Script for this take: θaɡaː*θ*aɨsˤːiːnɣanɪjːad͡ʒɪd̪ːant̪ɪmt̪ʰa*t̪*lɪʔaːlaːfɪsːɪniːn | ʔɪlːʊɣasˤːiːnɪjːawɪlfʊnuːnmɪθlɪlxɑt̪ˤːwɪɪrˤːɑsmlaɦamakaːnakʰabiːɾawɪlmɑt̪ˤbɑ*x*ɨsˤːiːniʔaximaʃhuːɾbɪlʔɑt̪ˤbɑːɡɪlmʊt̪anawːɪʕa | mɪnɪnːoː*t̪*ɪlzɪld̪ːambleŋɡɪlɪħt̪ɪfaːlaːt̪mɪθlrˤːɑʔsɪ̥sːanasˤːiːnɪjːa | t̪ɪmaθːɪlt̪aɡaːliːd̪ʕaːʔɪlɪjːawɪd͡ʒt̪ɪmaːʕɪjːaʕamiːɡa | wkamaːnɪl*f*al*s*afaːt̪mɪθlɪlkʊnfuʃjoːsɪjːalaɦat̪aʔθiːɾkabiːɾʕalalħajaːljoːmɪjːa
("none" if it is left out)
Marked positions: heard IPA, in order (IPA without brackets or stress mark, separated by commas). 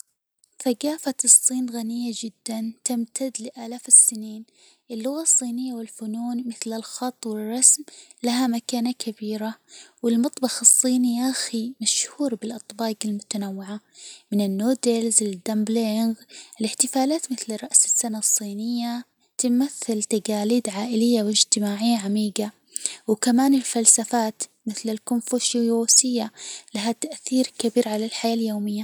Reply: f, d̪, x, d̪, f, s